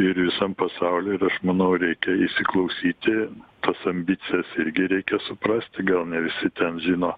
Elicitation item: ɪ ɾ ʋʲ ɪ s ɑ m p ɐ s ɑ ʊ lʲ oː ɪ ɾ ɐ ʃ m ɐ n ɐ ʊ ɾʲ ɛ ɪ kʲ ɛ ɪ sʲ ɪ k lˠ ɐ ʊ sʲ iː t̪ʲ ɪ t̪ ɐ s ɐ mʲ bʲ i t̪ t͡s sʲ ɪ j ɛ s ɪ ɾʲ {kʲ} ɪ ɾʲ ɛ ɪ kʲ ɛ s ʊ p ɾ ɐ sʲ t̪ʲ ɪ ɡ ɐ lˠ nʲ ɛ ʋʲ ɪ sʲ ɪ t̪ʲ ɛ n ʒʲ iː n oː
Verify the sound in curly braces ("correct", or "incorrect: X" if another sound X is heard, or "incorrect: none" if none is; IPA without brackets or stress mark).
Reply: incorrect: ɡʲ